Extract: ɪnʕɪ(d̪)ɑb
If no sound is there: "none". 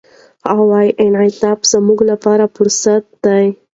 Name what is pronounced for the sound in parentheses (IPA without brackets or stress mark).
t̪